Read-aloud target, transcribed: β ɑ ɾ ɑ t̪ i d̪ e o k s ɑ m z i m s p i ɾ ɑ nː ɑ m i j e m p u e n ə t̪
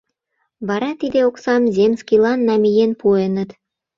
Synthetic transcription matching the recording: β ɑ ɾ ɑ t̪ i d̪ e o k s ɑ m z e m s k i l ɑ nː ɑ m i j e n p u e n ə t̪

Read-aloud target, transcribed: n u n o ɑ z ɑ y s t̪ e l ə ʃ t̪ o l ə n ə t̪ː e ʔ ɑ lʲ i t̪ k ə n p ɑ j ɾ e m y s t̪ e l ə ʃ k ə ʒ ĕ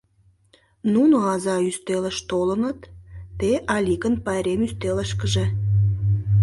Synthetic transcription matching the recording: n u n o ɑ z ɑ y s t̪ e l ə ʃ t̪ o l ə n ə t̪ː e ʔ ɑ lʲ i k ə n p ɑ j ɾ e m y s t̪ e l ə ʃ k ə ʒ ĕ

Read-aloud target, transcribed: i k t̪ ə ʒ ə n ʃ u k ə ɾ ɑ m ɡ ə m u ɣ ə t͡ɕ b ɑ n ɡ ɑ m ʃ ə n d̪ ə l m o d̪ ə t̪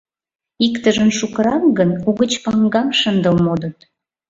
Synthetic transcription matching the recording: i k t̪ ə ʒ ə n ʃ u k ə ɾ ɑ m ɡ ə n u ɣ ə t͡ɕ p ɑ ŋ ɡ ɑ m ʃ ə n d̪ ə l m o d̪ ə t̪

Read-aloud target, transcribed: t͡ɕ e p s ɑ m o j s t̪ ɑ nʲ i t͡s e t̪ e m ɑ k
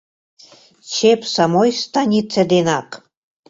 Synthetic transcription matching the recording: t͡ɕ e p s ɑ m o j s t̪ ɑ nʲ i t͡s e d̪ e n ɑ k

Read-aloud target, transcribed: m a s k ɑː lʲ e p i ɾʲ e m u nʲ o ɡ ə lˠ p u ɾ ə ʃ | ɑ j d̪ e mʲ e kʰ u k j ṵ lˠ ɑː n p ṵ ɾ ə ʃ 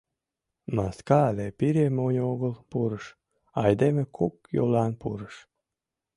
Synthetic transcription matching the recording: m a s k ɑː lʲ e p i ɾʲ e m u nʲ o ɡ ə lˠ p u ɾ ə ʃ | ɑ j d̪ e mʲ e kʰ u k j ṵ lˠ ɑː n p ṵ ɾ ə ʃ

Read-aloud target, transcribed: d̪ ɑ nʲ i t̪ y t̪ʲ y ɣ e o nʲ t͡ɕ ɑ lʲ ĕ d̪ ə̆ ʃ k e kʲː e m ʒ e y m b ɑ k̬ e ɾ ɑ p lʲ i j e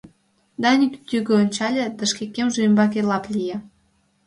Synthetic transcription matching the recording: d̪ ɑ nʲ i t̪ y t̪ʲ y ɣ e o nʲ t͡ɕ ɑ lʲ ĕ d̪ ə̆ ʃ k e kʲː e m ʒ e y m b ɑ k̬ e l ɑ p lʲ i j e

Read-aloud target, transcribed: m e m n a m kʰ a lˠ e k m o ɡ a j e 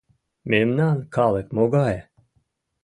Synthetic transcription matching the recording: m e m n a n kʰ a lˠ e k m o ɡ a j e

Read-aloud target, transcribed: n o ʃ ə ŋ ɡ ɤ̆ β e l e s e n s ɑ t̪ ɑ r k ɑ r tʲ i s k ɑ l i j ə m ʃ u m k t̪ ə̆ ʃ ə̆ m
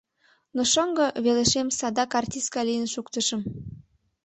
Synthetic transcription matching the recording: n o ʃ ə ŋ ɡ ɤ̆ β e l e ʃ e m s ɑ d̪ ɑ k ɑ r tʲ i s k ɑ l i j ə n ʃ u k t̪ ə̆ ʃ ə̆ m

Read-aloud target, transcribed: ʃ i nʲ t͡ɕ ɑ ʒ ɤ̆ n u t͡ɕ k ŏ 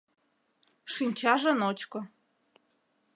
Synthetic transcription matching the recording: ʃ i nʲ t͡ɕ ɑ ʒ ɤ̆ n o t͡ɕ k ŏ

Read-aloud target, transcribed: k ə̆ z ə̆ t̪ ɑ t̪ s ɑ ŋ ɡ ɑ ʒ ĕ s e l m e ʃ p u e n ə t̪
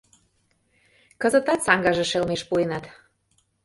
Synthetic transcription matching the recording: k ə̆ z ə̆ t̪ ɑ t̪ s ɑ ŋ ɡ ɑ ʒ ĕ ʃ e l m e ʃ p u e n ɑ t̪

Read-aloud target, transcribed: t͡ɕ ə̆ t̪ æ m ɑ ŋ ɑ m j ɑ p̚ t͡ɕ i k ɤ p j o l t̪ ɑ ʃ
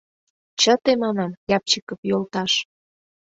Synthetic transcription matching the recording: t͡ɕ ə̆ t̪ e m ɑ n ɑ m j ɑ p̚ t͡ɕ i k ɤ p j o l t̪ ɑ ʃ

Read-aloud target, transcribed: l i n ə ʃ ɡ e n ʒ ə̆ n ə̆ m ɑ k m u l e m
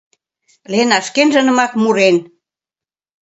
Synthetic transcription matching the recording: l e n ɑ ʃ k e n ʒ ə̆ n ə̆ m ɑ k m u ɾ e n

